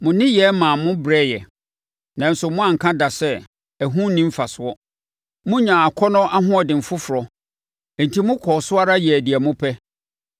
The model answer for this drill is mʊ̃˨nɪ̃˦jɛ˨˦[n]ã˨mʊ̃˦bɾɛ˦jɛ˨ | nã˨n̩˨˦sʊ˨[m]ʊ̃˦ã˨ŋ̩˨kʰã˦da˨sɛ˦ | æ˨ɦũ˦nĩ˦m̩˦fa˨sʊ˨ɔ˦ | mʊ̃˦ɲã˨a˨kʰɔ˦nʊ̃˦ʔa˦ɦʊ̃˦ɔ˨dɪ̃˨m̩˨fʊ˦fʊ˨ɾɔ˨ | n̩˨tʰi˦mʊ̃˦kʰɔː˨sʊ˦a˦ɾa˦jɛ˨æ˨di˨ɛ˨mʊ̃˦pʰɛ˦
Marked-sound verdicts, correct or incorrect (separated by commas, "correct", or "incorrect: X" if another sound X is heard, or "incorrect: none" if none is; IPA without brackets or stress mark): incorrect: m, correct